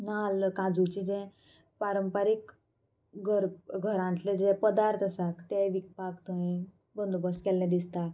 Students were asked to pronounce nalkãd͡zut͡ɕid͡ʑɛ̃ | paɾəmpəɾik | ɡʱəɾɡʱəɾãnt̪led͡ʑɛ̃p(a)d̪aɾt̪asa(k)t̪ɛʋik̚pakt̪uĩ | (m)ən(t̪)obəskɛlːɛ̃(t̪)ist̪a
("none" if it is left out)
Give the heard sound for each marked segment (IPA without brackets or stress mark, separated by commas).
ə, k, b, d̪, d̪